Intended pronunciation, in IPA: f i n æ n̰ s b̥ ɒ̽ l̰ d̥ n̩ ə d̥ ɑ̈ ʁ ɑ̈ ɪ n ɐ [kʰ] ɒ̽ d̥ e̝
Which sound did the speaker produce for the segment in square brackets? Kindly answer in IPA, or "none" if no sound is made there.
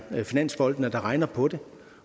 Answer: pʰ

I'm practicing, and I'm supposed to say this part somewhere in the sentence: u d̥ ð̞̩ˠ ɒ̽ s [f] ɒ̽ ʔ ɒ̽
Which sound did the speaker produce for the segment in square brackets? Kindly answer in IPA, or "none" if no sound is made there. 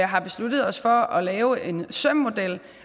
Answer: f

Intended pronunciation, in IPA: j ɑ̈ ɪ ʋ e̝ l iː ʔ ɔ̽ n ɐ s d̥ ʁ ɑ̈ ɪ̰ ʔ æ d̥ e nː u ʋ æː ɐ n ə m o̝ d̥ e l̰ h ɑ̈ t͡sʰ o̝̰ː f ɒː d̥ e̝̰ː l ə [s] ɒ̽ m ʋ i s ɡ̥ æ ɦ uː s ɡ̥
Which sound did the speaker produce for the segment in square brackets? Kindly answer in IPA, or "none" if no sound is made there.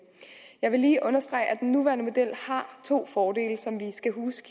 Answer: s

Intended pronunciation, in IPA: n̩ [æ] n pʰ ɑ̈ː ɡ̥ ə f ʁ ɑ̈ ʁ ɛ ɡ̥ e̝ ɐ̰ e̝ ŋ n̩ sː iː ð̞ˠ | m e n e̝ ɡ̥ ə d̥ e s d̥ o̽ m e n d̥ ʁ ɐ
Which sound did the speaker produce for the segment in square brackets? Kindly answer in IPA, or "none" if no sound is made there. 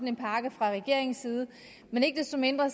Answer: e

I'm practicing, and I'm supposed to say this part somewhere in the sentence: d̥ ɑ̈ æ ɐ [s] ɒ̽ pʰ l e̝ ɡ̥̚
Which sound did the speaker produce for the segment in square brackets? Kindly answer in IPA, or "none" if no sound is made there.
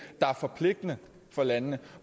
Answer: f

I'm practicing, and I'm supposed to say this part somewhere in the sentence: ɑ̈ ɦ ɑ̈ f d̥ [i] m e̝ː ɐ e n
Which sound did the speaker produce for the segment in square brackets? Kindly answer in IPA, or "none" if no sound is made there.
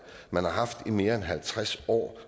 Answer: i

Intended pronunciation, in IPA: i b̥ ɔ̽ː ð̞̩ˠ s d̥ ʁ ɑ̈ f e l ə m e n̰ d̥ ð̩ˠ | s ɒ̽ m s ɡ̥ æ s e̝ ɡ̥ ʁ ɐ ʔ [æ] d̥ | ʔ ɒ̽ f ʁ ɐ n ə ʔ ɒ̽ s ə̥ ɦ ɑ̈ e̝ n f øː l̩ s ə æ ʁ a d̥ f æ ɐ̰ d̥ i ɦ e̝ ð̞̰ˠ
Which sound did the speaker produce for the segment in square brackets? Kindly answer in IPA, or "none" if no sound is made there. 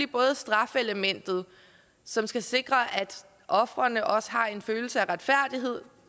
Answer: æ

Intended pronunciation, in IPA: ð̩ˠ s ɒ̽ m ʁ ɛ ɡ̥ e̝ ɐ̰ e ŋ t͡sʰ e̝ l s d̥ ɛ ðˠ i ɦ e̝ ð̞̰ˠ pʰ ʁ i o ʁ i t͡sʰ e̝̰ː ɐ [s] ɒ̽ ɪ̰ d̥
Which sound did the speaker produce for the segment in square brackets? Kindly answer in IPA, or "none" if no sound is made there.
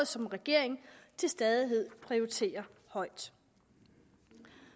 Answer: h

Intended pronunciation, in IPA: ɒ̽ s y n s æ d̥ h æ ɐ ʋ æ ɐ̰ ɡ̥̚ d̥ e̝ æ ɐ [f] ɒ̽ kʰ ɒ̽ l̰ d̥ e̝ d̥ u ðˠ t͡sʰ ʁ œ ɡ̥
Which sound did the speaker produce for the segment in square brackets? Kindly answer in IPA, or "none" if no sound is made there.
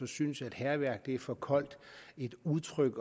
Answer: f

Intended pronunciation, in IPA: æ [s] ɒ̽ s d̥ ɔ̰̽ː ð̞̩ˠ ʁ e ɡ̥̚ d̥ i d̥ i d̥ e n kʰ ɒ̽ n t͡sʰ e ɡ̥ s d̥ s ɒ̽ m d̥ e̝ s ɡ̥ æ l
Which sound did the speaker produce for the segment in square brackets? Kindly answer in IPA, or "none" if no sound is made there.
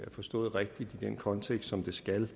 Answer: f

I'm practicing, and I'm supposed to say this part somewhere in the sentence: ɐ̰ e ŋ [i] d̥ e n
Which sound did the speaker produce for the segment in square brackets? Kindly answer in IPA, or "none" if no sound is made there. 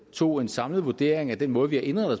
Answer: æ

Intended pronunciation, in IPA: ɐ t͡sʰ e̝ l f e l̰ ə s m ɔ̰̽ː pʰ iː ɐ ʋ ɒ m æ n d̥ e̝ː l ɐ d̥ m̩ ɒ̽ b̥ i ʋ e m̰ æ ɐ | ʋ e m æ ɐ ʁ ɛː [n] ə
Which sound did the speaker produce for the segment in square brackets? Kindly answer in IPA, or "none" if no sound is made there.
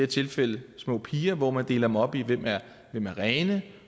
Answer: n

